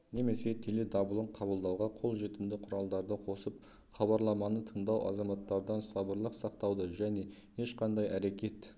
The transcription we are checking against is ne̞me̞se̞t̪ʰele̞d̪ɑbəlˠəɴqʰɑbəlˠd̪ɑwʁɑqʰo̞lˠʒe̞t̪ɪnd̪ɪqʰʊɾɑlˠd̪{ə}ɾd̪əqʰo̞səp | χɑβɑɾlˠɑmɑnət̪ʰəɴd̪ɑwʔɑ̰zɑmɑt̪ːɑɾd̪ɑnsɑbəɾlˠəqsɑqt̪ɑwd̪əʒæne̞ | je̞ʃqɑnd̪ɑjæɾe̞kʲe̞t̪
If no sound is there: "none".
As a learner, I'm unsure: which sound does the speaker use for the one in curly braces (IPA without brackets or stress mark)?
ɑ